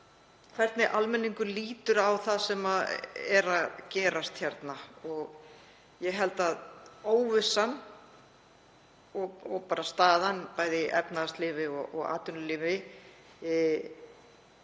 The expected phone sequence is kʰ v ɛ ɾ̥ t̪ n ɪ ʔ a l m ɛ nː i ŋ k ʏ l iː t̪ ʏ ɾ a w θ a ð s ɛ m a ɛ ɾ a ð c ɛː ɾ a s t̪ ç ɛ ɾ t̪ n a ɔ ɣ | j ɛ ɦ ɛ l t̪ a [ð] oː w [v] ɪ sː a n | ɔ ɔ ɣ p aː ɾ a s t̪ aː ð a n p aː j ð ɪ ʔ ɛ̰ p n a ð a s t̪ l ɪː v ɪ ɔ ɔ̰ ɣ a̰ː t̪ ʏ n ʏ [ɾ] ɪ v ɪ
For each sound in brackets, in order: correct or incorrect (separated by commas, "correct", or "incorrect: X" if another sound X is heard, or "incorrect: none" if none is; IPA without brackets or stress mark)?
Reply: correct, correct, incorrect: l